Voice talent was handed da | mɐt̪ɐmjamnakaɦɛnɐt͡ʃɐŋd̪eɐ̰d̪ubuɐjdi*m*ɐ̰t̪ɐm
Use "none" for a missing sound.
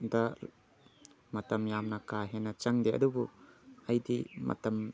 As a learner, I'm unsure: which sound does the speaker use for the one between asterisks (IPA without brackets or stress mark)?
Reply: m